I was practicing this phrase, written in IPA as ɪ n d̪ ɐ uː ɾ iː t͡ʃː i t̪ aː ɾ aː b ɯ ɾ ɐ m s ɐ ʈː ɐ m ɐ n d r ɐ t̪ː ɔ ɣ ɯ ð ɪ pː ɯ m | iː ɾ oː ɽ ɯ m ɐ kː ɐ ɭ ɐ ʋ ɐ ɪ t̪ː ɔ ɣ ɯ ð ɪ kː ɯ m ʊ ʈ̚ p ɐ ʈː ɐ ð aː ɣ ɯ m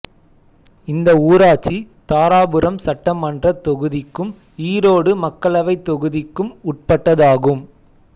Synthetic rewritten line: ɪ n d̪ ɐ uː ɾ aː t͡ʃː i t̪ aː ɾ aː b ɯ ɾ ɐ m s ɐ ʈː ɐ m ɐ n d r ɐ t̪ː ɔ ɣ ɯ ð ɪ kː ɯ m | iː ɾ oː ɽ ɯ m ɐ kː ɐ ɭ ɐ ʋ ɐ ɪ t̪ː ɔ ɣ ɯ ð ɪ kː ɯ m ʊ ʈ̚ p ɐ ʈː ɐ ð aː ɣ ɯ m